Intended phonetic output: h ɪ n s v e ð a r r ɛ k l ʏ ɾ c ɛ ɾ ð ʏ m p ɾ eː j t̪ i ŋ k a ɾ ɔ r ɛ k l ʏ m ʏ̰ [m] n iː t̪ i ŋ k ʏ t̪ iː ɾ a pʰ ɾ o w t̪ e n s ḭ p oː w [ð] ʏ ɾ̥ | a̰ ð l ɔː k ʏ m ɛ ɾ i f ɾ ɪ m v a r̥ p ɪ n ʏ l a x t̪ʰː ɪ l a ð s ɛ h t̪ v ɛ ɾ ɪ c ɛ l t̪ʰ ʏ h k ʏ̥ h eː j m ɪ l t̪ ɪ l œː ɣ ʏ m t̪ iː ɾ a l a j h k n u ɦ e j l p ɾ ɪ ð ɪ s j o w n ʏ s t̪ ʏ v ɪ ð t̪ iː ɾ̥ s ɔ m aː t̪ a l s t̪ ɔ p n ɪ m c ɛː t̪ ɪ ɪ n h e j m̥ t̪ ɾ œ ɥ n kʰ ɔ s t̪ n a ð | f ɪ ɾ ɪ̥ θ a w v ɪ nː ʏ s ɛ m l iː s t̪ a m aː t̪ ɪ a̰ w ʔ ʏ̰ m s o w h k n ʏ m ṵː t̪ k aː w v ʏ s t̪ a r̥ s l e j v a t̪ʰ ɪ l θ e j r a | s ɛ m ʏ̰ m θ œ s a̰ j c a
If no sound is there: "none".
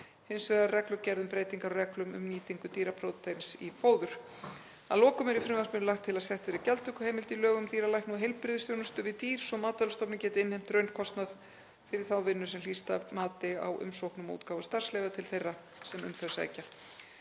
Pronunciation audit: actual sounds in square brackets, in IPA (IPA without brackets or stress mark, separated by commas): m, ð